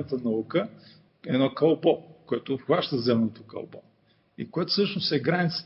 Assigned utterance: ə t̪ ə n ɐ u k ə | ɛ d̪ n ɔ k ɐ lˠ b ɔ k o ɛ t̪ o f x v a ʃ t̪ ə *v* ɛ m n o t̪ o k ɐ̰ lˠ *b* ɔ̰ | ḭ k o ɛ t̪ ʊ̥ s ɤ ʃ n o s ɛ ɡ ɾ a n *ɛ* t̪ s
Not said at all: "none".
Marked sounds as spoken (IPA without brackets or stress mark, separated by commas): z, b, i